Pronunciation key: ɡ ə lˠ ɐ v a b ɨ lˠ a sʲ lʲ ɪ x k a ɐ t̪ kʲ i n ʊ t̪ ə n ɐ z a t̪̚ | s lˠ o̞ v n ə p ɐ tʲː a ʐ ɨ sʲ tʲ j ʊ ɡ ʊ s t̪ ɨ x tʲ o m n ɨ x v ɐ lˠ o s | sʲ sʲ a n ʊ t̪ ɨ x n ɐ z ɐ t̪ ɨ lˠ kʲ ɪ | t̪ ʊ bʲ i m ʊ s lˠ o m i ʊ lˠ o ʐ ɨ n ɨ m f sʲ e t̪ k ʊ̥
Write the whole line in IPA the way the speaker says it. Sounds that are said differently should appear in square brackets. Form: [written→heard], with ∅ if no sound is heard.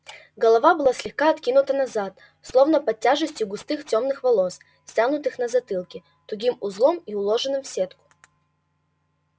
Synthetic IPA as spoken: ɡ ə lˠ ɐ v a b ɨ lˠ a sʲ lʲ ɪ x k a ɐ t̪ kʲ i n ʊ t̪ ə n ɐ z a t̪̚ | s lˠ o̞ v n ə p ɐ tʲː a ʐ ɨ sʲ tʲ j ʊ ɡ ʊ s t̪ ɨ x tʲ o m n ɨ x v ɐ lˠ o s | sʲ [sʲ→tʲ] a n ʊ t̪ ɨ x n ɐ z ɐ t̪ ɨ lˠ kʲ ɪ | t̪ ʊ [bʲ→ɡʲ] i m ʊ [s→z] lˠ o m i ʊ lˠ o ʐ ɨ n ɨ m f sʲ e t̪ k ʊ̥